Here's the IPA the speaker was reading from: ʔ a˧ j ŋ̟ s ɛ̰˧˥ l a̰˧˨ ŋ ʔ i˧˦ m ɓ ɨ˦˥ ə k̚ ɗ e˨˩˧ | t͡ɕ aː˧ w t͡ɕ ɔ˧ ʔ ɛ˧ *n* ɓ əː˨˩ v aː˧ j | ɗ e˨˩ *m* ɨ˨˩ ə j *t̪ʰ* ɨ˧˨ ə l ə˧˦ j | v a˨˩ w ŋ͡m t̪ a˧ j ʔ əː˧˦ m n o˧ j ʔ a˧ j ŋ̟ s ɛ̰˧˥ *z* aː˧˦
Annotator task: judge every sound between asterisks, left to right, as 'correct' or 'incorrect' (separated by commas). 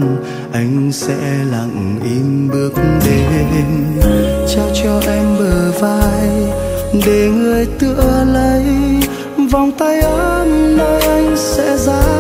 incorrect, incorrect, incorrect, correct